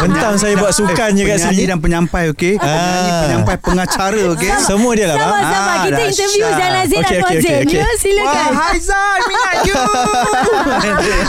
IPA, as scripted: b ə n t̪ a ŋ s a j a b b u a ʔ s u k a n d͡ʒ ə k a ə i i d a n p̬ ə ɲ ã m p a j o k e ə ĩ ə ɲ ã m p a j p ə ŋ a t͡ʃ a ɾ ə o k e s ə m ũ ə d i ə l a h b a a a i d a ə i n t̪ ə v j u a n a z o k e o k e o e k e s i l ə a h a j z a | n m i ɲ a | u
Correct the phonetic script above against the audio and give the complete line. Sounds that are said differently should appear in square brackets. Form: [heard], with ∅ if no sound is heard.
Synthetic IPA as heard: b ə n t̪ a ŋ s a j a b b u a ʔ s u k a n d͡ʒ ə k a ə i i d a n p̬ ə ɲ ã m p a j o k e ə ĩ ə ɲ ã m p a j p ə ŋ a t͡ʃ a ɾ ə o k e s ə m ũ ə d i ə l a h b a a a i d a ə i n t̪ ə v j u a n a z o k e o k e o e k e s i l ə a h a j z a | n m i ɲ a | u